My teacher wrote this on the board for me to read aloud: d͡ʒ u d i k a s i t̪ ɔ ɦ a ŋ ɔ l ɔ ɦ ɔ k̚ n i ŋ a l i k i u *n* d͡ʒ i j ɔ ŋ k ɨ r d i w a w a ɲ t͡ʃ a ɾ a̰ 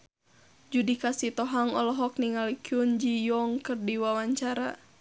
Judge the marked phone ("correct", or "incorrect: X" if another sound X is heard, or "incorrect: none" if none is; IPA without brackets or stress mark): correct